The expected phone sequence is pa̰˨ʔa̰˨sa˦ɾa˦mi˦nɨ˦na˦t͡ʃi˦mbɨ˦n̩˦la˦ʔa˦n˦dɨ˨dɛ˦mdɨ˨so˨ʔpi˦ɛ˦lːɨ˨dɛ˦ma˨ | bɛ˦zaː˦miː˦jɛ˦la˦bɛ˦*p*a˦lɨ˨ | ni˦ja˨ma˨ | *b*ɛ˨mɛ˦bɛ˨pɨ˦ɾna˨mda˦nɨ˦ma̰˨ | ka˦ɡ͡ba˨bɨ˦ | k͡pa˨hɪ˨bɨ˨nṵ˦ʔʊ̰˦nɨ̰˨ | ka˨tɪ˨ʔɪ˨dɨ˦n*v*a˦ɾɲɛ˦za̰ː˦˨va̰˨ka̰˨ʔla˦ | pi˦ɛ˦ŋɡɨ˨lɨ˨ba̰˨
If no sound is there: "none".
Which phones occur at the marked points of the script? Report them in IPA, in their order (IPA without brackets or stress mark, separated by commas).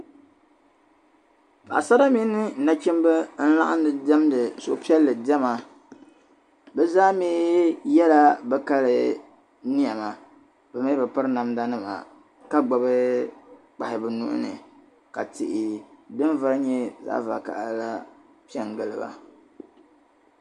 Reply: k, b, v